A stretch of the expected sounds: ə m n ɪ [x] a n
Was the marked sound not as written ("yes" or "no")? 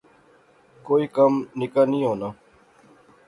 yes